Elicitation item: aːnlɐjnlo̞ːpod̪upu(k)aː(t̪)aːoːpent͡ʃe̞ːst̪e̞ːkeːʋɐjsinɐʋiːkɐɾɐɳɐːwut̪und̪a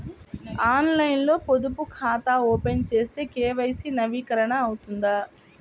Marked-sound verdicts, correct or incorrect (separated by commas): incorrect, correct